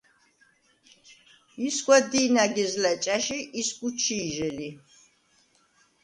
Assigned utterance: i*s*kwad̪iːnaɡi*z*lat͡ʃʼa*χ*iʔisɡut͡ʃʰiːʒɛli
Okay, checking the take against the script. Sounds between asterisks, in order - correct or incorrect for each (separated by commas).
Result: correct, correct, incorrect